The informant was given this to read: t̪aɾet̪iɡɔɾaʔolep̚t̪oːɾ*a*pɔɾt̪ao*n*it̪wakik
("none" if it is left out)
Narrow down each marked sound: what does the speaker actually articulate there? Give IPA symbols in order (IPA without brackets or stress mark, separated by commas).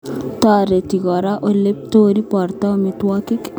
i, m